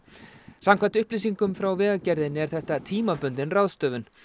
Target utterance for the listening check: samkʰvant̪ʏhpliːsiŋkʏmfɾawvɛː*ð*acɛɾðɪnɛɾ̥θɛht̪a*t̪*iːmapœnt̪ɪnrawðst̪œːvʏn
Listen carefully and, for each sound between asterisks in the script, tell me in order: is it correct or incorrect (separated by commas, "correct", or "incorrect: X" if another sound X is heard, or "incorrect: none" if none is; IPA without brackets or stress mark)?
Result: incorrect: ɣ, incorrect: t̪ʰ